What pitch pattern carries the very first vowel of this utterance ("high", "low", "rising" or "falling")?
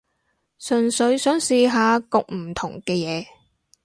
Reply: low